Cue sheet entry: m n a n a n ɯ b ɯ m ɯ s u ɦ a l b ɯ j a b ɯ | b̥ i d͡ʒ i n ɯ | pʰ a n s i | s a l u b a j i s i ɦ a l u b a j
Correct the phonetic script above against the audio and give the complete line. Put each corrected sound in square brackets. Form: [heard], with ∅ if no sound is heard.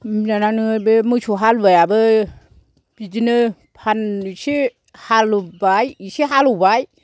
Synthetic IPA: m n a n a n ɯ b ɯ m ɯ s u ɦ a l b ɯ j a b ɯ | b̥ i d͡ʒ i n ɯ | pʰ a n s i | [h] a l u b a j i s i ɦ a l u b a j